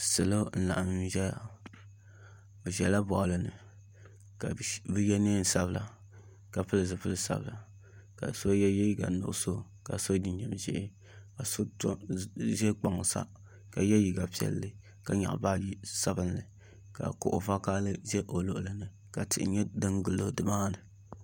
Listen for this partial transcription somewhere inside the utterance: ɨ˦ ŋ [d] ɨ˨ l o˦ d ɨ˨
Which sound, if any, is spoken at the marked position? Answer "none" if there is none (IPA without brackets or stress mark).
ɡ